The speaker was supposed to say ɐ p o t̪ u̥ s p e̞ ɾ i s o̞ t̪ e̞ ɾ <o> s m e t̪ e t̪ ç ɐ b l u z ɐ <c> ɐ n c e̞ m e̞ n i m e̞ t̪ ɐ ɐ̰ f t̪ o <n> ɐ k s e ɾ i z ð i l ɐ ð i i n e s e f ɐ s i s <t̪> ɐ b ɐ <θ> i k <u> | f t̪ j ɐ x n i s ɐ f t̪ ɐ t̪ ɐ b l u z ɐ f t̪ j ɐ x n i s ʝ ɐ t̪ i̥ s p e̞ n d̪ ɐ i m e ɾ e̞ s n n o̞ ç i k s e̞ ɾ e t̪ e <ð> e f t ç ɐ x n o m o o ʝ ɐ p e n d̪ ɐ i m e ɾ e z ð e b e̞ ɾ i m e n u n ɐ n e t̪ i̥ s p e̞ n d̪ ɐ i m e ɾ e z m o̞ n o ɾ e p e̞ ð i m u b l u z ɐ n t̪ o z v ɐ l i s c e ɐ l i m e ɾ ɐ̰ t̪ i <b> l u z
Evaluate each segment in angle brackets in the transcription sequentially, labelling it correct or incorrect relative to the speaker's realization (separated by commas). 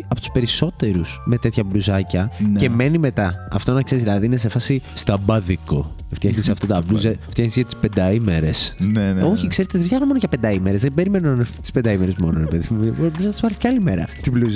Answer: incorrect, correct, correct, correct, incorrect, incorrect, correct, correct